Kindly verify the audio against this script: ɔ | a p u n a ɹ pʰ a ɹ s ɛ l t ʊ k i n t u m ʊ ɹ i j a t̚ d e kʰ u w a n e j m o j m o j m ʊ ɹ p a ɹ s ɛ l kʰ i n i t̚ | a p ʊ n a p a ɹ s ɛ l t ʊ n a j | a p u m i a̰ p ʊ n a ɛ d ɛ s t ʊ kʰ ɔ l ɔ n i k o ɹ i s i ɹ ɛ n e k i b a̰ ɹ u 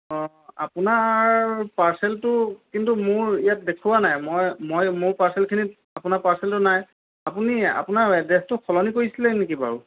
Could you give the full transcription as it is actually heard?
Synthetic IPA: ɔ | a p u n a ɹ p a ɹ s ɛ l t ʊ k i n t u m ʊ ɹ i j a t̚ d e kʰ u w a n a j m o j m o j m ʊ ɹ p a ɹ s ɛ l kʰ i n i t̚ | a p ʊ n a p a ɹ s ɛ l t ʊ n a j | a p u n i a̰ p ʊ n a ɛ d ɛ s t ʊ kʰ ɔ l ɔ n i k o ɹ i s i l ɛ n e k i b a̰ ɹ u

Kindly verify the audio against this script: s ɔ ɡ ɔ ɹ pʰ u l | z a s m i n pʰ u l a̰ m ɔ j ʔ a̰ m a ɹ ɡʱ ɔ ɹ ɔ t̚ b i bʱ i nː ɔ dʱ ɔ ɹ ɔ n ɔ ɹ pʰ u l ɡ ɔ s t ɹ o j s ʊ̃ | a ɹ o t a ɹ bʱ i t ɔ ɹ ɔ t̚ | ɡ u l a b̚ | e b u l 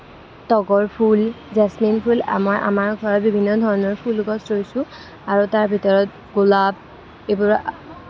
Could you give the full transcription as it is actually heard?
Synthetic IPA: t ɔ ɡ ɔ ɹ pʰ u l | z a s m i n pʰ u l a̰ m ɔ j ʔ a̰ m a ɹ ɡʱ ɔ ɹ ɔ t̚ b i bʱ i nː ɔ dʱ ɔ ɹ ɔ n ɔ ɹ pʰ u l ɡ ɔ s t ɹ o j s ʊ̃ | a ɹ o t a ɹ bʱ i t ɔ ɹ ɔ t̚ | ɡ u l a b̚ | e b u ɹ

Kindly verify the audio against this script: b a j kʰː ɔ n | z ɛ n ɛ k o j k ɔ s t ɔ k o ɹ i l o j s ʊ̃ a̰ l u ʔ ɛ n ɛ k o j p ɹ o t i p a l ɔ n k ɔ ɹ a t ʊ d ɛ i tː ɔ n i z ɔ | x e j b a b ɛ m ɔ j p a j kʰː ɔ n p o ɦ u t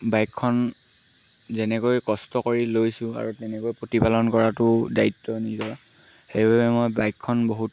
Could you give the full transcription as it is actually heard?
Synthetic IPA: b a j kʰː ɔ n | z ɛ n ɛ k o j k ɔ s t ɔ k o ɹ i l o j s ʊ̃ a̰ ɹ u t ɛ n ɛ k o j p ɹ o t i p a l ɔ n k ɔ ɹ a t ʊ d a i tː ɔ n i z ɔ | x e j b a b ɛ m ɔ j b a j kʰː ɔ n b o ɦ u t

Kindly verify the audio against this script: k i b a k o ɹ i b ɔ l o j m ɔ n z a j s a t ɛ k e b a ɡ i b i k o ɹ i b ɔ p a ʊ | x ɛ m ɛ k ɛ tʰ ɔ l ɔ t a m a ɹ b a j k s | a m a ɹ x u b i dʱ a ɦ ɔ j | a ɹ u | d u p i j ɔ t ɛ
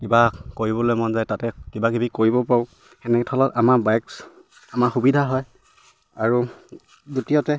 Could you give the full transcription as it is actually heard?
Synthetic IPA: k i b a k o ɹ i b ɔ l o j m ɔ n z a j t a t ɛ k i b a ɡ i b i k o ɹ i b ɔ p a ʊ | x ɛ n ɛ k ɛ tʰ ɔ l ɔ t a m a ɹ b a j k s | a m a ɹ x u b i dʱ a ɦ ɔ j | a ɹ u | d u t i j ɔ t ɛ

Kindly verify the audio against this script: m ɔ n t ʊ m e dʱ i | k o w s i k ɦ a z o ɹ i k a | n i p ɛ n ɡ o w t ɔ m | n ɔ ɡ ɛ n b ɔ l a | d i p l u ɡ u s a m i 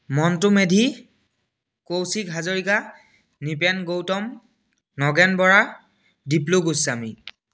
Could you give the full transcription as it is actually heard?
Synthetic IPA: m ɔ n t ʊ m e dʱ i | k o w s i k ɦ a z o ɹ i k a | n i p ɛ n ɡ o w t ɔ m | n ɔ ɡ ɛ n b ɔ ɹ a | d i p l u ɡ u s a m i

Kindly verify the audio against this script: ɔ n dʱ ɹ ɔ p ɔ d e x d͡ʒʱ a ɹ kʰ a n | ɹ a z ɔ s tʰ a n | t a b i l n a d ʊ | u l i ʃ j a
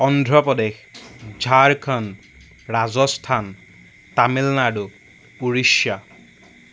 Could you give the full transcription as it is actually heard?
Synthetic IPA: ɔ n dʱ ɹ ɔ p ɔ d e x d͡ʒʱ a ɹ kʰ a n | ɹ a z ɔ s tʰ a n | t a m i l n a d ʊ | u ɹ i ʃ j a

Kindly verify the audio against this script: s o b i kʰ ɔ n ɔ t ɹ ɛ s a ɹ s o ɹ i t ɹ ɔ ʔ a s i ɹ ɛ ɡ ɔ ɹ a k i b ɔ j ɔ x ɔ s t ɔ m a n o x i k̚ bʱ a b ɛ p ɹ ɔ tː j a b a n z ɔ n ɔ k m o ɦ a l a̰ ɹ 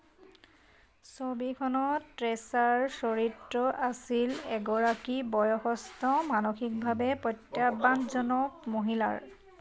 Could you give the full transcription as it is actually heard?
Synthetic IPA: s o b i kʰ ɔ n ɔ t ɹ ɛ s a ɹ s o ɹ i t ɹ ɔ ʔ a s i l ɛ ɡ ɔ ɹ a k i b ɔ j ɔ x ɔ s t ɔ m a n o x i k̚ bʱ a b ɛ p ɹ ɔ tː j a b a n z ɔ n ɔ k m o ɦ i l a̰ ɹ

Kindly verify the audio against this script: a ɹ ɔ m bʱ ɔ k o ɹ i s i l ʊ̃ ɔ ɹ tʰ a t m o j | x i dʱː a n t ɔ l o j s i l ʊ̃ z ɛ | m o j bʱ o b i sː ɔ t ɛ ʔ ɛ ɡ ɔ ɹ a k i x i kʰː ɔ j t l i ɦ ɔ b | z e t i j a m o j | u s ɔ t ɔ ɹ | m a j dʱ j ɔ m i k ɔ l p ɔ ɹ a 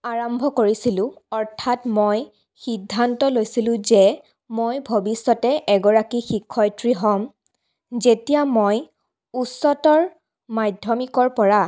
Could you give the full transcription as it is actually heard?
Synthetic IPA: a ɹ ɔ m bʱ ɔ k o ɹ i s i l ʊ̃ ɔ ɹ tʰ a t m o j | x i dʱː a n t ɔ l o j s i l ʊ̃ z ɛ | m o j bʱ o b i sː ɔ t ɛ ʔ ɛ ɡ ɔ ɹ a k i x i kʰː ɔ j t ɹ i ɦ ɔ m | z e t i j a m o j | u s ɔ t ɔ ɹ | m a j dʱ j ɔ m i k ɔ ɹ p ɔ ɹ a

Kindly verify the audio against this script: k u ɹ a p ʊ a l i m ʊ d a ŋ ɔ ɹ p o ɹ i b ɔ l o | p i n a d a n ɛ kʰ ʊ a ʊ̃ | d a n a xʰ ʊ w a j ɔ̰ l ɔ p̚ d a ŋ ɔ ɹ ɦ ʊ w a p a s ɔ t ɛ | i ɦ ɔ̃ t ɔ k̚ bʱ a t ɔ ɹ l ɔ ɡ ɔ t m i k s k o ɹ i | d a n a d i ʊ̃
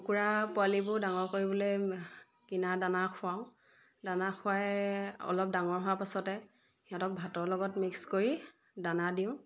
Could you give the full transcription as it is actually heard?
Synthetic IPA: k u ɹ a p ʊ a l i b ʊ d a ŋ ɔ ɹ k o ɹ i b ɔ l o | k i n a d a n a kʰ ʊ a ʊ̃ | d a n a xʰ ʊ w a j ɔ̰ l ɔ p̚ d a ŋ ɔ ɹ ɦ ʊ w a p a s ɔ t ɛ | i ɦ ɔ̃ t ɔ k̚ bʱ a t ɔ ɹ l ɔ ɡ ɔ t m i k s k o ɹ i | d a n a d i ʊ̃

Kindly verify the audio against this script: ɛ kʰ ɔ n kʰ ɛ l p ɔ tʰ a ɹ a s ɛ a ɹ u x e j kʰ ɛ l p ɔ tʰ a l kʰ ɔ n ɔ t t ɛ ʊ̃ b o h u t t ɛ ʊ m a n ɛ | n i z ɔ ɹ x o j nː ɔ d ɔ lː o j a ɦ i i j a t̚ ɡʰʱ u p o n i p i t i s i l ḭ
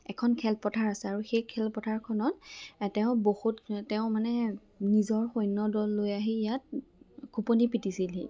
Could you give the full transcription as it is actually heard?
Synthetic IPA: ɛ kʰ ɔ n kʰ ɛ l p ɔ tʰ a ɹ a s ɛ a ɹ u x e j kʰ ɛ l p ɔ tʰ a ɹ kʰ ɔ n ɔ t t ɛ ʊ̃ b o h u t t ɛ ʊ m a n ɛ | n i z ɔ ɹ x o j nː ɔ d ɔ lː o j a ɦ i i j a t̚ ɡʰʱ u p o n i p i t i s i l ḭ

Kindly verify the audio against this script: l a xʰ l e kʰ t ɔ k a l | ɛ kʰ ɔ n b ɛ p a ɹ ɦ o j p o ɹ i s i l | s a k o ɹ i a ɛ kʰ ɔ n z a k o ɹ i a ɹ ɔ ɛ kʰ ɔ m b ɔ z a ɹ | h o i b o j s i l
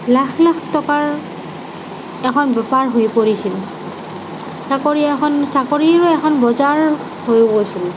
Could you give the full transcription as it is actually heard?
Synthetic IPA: l a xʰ l a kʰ t ɔ k a ɹ | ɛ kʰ ɔ n b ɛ p a ɹ ɦ o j p o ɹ i s i l | s a k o ɹ i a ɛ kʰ ɔ n s a k o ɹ i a ɹ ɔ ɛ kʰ ɔ n b ɔ z a ɹ | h o j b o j s i l

